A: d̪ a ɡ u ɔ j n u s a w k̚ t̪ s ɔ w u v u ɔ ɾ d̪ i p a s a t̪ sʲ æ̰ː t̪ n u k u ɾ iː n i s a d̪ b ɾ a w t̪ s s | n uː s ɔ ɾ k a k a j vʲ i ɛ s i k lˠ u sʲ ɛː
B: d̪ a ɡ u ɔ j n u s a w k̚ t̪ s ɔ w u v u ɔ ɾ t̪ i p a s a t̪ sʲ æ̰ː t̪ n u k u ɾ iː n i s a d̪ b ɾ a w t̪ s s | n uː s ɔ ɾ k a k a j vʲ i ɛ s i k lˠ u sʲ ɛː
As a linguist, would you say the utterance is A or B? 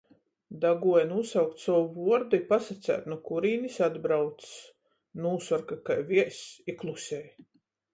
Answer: A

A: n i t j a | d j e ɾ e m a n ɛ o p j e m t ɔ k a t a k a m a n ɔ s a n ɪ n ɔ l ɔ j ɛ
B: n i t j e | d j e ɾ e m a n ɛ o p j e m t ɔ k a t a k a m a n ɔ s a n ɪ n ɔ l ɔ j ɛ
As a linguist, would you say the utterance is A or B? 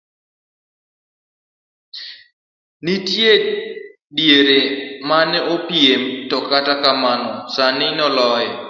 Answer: B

